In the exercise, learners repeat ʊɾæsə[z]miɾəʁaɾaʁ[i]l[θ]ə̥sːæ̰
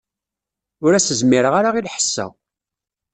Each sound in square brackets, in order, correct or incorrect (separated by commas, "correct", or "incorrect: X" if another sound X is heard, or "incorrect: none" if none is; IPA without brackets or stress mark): correct, correct, incorrect: ħ